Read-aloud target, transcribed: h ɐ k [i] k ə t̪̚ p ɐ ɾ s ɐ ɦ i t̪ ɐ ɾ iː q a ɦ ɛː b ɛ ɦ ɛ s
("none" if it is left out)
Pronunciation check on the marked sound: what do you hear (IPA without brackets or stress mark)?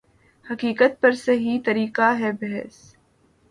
iː